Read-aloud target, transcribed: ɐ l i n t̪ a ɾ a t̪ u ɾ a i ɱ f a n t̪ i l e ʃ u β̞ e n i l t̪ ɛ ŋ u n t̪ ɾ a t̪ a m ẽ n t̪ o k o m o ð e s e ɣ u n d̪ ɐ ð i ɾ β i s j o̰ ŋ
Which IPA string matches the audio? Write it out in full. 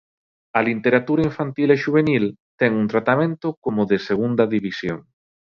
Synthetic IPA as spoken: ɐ l i n t̪ e ɾ a t̪ u ɾ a i ɱ f a n t̪ i l e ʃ u β̞ e n i l t̪ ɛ ŋ u n t̪ ɾ a t̪ a m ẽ n t̪ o k o m o ð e s e ɣ u n d̪ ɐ ð i β i s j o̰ ŋ